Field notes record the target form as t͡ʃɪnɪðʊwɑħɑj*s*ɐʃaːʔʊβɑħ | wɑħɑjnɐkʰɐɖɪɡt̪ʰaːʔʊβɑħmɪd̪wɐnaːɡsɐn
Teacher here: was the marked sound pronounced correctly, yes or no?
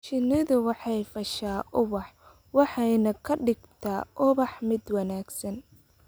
no